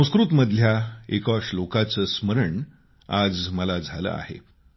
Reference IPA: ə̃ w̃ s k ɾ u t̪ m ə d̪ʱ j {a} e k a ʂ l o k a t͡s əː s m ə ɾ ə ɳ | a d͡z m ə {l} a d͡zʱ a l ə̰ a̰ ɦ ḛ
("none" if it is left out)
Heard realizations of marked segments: a, l

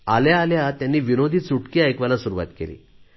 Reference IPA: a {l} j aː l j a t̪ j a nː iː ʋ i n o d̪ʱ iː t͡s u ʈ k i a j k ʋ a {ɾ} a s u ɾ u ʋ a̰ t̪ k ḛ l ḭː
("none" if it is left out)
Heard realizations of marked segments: l, l

